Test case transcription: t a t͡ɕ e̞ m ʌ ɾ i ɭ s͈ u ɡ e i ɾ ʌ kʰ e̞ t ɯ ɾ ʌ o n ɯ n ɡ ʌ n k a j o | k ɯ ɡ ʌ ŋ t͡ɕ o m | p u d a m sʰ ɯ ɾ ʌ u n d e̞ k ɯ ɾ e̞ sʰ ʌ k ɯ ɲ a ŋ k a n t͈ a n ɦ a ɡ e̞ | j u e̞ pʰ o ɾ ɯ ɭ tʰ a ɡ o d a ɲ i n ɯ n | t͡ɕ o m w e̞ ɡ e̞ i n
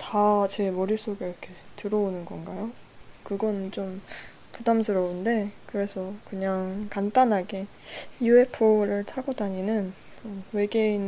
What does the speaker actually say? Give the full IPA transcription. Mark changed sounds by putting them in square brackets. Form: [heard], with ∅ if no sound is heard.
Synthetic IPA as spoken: t a t͡ɕ e̞ m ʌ ɾ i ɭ s͈ [o] ɡ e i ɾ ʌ kʰ e̞ t ɯ ɾ ʌ o n ɯ n ɡ ʌ n [ɡ] a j o | k ɯ ɡ ʌ [n] t͡ɕ o m | p u d a m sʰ ɯ ɾ ʌ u n d e̞ k ɯ ɾ e̞ sʰ ʌ k ɯ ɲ a ŋ k a n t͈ a n ɦ a ɡ e̞ | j u e̞ pʰ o ɾ ɯ ɭ tʰ a ɡ o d a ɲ i n ɯ n | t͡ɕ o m w e̞ ɡ e̞ i n